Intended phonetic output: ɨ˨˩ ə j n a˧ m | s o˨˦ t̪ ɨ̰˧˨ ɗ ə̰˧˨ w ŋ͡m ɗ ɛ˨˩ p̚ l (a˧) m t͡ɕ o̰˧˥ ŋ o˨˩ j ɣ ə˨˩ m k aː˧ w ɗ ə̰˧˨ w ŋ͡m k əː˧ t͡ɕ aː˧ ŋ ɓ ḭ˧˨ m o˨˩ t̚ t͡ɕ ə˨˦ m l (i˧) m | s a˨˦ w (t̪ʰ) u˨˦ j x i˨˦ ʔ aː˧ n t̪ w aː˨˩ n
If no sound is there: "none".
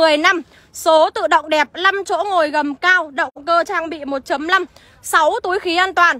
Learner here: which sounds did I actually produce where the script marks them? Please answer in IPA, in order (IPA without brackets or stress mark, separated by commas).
a˧, a˧, t̪